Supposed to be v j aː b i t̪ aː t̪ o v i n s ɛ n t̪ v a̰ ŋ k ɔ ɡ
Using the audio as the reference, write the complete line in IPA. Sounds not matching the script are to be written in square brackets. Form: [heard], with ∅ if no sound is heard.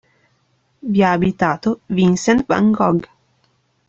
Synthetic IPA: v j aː b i t̪ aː t̪ o v i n s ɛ n t̪ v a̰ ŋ [ɡ] ɔ ɡ